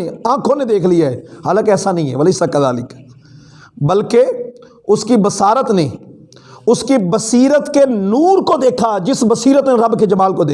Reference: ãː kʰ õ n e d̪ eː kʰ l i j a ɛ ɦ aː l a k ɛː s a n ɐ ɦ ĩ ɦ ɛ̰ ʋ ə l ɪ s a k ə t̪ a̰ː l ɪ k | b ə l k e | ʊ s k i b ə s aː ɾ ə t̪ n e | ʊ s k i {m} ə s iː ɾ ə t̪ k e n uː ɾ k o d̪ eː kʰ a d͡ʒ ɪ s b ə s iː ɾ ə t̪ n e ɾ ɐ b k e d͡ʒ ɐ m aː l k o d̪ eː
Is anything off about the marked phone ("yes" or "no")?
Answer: yes